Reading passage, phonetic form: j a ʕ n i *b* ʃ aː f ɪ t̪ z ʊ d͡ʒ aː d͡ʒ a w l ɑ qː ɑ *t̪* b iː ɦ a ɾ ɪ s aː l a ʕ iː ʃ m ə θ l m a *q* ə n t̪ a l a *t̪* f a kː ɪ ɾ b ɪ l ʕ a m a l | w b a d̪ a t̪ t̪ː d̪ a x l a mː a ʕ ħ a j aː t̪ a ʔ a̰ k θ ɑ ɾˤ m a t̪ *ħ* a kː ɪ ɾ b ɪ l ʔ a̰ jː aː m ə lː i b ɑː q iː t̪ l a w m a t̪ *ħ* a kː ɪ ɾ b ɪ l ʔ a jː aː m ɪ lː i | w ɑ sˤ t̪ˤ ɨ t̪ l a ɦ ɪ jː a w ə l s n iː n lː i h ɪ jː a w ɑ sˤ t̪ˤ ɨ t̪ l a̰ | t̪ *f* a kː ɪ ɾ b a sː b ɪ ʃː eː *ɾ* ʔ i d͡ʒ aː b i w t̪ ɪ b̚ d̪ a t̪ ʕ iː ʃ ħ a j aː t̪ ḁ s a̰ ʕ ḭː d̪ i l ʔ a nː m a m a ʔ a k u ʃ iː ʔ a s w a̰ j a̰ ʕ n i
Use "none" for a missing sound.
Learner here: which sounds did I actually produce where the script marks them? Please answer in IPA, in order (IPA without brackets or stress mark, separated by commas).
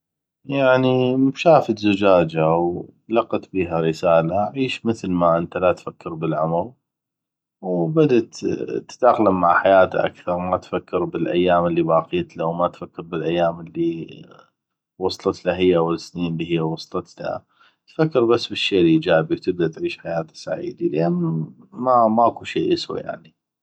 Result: m, t̪, ʔ, t̪, f, f, f, l